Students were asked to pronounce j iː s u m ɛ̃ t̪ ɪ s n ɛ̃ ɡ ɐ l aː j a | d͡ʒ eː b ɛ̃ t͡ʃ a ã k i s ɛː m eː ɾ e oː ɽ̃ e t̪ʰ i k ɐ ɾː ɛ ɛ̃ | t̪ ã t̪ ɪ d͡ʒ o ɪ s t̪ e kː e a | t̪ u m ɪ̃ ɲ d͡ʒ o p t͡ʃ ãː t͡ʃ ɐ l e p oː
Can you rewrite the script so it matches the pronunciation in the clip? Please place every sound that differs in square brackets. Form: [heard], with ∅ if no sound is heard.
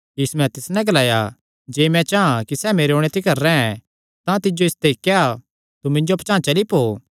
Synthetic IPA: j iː s u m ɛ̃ t̪ ɪ s n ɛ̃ ɡ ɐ l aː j a | d͡ʒ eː [m] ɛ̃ t͡ʃ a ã k i s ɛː m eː ɾ e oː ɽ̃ e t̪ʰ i k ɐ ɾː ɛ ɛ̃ | t̪ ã t̪ ɪ d͡ʒ o ɪ s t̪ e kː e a | t̪ u m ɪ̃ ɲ d͡ʒ o p t͡ʃ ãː t͡ʃ ɐ l [i] p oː